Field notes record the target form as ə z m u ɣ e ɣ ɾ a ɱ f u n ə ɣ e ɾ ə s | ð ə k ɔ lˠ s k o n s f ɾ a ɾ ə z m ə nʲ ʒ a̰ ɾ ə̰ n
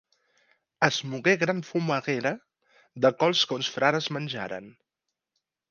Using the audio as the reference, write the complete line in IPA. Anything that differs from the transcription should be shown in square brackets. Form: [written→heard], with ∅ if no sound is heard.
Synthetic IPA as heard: ə z m u ɣ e ɣ ɾ a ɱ f u [n→m] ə ɣ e ɾ ə [s→∅] | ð ə k ɔ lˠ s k o n s f ɾ a ɾ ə z m ə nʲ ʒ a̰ ɾ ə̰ n